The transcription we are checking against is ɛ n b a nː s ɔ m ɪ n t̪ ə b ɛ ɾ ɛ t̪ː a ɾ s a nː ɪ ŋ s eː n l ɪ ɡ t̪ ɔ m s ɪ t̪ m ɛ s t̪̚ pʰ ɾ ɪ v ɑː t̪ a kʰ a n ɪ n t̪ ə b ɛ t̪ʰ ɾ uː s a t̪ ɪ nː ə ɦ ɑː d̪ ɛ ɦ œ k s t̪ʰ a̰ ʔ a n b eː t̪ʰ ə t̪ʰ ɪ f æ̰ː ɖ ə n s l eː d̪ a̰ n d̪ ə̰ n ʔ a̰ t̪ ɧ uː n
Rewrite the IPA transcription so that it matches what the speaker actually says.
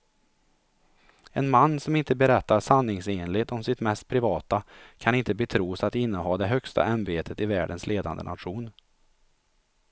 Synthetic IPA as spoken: ɛ n m a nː s ɔ m ɪ n t̪ ə b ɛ ɾ ɛ t̪ː a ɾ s a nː ɪ ŋ s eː n l ɪ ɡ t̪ ɔ m s ɪ t̪ m ɛ s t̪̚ pʰ ɾ ɪ v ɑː t̪ a kʰ a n ɪ n t̪ ə b ɛ t̪ʰ ɾ uː s a t̪ ɪ nː ə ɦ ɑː d̪ ɛ ɦ œ k s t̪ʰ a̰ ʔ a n b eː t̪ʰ ə t̪ ɪ v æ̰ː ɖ ə n s l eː d̪ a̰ n d̪ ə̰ n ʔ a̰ t̪ ɧ uː n